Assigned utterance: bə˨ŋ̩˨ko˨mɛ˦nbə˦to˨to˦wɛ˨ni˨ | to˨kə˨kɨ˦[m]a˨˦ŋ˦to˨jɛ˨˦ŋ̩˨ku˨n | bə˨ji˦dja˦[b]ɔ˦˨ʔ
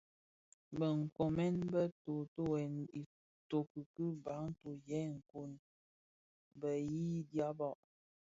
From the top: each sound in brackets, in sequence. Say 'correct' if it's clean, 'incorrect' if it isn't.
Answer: incorrect: b, correct

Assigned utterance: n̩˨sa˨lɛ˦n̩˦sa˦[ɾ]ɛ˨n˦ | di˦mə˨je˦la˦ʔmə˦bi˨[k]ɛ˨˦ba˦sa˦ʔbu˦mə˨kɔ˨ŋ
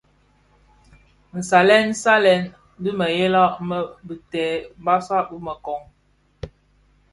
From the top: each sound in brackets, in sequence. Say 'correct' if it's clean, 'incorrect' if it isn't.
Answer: incorrect: l, incorrect: t

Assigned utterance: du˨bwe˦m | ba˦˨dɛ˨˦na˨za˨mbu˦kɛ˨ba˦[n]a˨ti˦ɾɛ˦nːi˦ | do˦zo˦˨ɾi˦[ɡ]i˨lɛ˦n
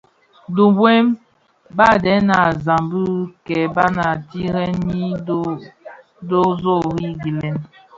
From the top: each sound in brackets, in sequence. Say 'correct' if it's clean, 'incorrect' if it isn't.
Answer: correct, correct

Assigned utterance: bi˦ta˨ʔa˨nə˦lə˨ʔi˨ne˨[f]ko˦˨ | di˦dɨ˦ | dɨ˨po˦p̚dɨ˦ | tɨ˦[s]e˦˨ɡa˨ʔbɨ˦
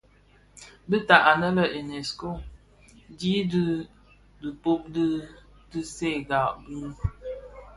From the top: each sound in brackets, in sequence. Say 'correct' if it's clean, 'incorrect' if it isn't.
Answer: incorrect: s, correct

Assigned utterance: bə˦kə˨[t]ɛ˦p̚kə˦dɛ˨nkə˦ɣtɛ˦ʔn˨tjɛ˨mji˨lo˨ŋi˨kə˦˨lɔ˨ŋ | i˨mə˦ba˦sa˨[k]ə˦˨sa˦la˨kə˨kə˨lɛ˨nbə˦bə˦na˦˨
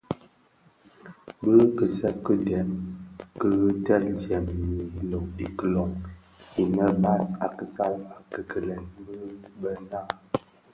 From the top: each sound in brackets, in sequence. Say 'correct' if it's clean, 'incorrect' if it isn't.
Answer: incorrect: s, correct

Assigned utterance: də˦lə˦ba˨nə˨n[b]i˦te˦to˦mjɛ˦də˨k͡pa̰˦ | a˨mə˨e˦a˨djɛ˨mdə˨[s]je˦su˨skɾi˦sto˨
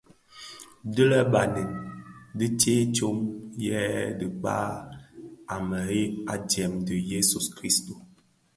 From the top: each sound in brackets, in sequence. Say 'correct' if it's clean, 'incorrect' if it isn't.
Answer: incorrect: d, incorrect: none

